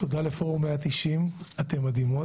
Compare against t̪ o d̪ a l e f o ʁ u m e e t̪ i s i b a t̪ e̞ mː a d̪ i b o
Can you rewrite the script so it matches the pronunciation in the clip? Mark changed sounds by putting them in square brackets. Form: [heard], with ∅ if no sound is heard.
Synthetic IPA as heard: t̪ o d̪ a l e f o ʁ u m e [a] t̪ i [ʃ] i [m] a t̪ e̞ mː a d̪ i [m] o